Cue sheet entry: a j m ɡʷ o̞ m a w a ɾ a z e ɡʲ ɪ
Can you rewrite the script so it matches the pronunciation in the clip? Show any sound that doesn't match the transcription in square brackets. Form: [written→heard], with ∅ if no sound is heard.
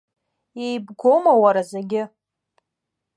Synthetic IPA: [a→e] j [m→b] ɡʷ o̞ m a w a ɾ a z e ɡʲ ɪ

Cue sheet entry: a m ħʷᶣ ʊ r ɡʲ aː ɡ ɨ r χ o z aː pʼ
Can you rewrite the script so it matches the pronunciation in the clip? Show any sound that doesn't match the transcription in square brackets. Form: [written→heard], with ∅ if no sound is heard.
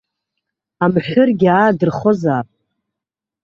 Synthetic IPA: a m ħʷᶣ ʊ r ɡʲ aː [ɡ→d] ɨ r χ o z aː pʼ

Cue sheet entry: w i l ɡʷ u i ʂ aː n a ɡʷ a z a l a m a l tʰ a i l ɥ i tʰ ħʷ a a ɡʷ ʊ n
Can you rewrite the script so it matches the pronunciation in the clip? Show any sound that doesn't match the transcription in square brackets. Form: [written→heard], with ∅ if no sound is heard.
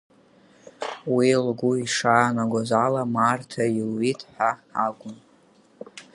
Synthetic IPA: w i l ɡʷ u i ʂ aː n a ɡʷ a z a l a m a [l→r] tʰ a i l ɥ i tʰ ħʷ a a ɡʷ ʊ n

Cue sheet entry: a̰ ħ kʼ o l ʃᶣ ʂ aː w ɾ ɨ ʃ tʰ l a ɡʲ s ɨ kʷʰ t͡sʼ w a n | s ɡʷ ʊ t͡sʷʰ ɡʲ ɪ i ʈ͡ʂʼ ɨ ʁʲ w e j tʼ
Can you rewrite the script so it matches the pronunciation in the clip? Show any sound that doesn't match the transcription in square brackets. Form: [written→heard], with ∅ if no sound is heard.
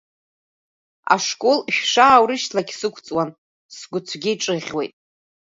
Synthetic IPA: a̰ [ħ→ʂ] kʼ o l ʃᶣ ʂ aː w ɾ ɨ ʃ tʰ l a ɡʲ s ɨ kʷʰ t͡sʼ w a n | s ɡʷ ʊ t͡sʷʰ ɡʲ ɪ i ʈ͡ʂʼ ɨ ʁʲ w e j tʼ

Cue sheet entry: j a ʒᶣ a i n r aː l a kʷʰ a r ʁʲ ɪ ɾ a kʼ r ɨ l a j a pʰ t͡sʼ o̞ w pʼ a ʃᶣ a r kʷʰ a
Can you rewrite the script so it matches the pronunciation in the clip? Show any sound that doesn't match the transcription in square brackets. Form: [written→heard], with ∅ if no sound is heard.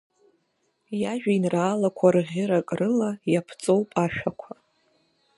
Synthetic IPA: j a ʒᶣ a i n r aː l a kʷʰ a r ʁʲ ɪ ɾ a kʼ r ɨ l a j a pʰ t͡sʼ o̞ w pʼ a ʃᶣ a [r→∅] kʷʰ a

